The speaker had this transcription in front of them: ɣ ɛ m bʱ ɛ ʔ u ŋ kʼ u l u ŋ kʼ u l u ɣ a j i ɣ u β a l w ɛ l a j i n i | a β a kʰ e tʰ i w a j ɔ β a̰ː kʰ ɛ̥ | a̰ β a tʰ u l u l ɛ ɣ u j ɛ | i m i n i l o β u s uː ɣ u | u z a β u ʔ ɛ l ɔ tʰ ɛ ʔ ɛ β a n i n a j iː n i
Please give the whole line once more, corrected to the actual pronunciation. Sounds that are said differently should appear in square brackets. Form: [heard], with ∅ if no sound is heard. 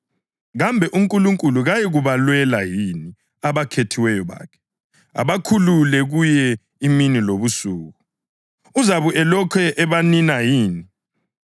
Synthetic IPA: ɣ [a] m bʱ ɛ ʔ u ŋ kʼ u l u ŋ kʼ u l u ɣ a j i ɣ u β a l w ɛ l a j i n i | a β a kʰ e tʰ i w [ɛ] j ɔ β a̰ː kʰ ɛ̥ | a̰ β a [kʰ] u l u l ɛ ɣ u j ɛ | i m i n i l o β u s uː ɣ u | u z a β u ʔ ɛ l ɔ [kʰ] ɛ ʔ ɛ β a n i n a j iː n i